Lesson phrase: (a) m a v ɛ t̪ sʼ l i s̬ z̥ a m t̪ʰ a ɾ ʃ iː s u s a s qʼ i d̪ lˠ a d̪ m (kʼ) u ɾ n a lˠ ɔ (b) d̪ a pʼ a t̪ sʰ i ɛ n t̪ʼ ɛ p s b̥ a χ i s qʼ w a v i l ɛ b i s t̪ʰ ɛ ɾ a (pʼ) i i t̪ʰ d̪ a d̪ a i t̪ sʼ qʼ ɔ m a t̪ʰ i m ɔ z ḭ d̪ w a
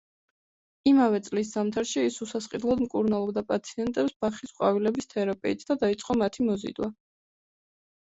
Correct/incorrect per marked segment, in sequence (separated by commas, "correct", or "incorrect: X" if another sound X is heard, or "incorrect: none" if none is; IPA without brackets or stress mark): incorrect: i, correct, correct, correct